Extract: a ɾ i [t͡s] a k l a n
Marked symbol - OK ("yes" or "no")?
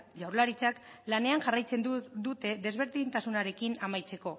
yes